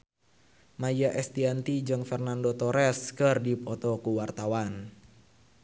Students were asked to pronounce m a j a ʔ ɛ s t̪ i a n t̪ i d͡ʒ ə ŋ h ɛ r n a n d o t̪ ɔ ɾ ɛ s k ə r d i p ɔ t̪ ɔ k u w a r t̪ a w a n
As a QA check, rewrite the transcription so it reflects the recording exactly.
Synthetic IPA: m a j a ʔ ɛ s t̪ i a n t̪ i d͡ʒ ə ŋ f ɛ r n a n d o t̪ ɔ ɾ ɛ s k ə r d i p ɔ t̪ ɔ k u w a r t̪ a w a n